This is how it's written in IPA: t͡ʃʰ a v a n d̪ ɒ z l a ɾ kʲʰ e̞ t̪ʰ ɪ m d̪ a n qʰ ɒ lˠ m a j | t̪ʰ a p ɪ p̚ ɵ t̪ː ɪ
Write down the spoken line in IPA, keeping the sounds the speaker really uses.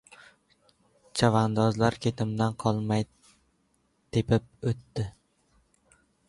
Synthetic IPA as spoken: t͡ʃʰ a v a n d̪ ɒ z l a ɾ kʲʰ e̞ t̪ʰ ɪ m d̪ a n qʰ ɒ lˠ m a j | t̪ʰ e p ɪ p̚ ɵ t̪ː ɪ